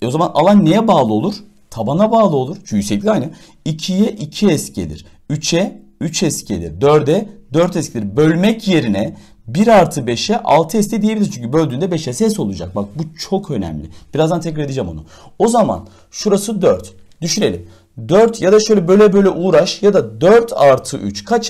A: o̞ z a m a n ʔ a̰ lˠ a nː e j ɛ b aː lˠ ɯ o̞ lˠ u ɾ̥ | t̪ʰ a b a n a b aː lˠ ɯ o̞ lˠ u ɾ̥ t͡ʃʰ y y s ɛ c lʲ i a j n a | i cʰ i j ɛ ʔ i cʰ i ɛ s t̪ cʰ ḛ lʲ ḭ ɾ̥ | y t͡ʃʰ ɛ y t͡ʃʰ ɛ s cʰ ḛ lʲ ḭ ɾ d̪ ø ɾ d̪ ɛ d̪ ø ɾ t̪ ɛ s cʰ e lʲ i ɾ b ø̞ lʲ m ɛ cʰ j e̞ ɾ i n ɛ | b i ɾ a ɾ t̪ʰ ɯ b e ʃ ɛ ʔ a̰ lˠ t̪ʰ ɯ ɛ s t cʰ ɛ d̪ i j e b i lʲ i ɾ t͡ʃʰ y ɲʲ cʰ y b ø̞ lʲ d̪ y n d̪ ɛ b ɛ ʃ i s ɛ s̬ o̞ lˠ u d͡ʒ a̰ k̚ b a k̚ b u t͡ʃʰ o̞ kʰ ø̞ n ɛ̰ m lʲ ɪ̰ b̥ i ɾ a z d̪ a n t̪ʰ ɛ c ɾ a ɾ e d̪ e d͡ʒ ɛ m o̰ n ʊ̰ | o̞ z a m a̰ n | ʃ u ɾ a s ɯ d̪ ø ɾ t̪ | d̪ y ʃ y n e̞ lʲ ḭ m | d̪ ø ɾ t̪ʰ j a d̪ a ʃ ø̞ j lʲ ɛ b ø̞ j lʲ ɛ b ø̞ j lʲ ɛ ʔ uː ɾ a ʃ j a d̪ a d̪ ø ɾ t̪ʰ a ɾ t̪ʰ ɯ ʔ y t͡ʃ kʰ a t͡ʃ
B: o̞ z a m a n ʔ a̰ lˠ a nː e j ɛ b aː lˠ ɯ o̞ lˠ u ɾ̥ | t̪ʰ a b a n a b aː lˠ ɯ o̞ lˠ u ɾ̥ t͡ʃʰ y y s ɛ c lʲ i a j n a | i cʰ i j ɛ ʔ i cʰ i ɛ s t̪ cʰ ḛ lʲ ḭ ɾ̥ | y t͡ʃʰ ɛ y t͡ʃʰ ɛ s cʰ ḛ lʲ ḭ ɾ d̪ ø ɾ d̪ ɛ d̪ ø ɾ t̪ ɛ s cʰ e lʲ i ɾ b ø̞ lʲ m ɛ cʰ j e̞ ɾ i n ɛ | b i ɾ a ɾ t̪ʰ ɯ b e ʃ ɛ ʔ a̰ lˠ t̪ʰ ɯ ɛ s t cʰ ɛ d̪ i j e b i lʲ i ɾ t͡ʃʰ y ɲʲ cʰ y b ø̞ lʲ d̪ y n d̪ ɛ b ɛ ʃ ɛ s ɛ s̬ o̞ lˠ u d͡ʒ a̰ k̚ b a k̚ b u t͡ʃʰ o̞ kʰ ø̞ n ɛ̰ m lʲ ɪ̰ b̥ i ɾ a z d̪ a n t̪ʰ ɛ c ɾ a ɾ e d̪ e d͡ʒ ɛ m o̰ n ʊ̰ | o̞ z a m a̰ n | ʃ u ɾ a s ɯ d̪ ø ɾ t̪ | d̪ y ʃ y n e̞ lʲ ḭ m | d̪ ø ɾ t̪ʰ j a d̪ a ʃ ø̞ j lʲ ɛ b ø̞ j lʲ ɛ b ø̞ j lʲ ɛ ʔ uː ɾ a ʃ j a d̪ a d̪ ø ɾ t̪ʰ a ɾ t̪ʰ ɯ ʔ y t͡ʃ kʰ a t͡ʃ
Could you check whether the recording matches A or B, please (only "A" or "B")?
B